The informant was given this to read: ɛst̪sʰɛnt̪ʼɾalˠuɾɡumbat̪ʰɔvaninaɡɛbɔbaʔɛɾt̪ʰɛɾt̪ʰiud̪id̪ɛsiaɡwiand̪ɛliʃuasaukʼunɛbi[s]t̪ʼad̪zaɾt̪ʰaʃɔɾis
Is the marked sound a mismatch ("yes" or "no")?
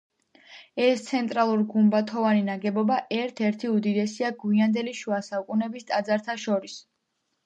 no